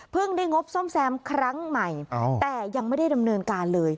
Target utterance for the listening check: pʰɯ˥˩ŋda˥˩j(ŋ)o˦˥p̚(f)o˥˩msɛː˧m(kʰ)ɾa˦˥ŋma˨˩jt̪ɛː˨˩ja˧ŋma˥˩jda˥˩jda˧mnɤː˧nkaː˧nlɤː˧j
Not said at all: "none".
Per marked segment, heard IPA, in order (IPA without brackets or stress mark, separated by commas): ŋ, s, kʰ